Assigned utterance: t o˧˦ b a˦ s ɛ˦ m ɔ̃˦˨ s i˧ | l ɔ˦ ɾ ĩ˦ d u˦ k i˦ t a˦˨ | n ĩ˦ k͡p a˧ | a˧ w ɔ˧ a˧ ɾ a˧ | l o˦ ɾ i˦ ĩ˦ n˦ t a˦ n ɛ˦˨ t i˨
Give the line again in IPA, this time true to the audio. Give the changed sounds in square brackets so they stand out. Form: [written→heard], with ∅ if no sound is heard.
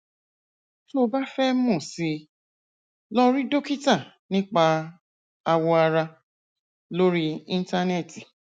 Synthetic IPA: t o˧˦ b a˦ [s→f] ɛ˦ m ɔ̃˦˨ s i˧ | l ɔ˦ ɾ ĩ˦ d [u˦→o˦] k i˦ t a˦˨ | n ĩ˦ k͡p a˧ | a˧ w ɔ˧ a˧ ɾ a˧ | l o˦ ɾ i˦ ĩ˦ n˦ t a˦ n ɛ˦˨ t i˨

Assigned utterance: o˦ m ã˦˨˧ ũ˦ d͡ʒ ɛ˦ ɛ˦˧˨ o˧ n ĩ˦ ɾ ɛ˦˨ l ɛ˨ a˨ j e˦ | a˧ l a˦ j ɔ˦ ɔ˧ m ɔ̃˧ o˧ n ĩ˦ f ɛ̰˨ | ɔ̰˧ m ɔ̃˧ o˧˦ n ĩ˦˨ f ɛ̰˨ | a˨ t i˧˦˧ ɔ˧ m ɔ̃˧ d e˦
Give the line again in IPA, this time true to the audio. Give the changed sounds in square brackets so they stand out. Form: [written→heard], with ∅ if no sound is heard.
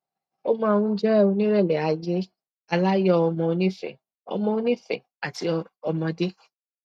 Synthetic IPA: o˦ m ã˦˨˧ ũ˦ d͡ʒ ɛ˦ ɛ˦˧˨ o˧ n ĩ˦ ɾ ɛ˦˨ l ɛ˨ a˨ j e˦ | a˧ l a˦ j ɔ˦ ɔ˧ m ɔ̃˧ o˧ n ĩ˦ f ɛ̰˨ | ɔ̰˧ m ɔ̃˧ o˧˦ n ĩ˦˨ f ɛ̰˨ | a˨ t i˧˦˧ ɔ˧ m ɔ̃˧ d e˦

